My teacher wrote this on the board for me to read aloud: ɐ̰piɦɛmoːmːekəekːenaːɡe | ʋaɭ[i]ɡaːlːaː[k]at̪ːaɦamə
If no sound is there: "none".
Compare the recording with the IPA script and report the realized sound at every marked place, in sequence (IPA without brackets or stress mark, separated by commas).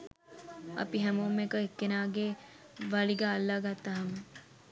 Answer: i, ɡ